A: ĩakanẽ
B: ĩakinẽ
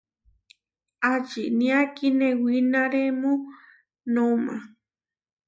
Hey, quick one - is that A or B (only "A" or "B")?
B